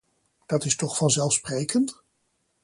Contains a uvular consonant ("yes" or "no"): yes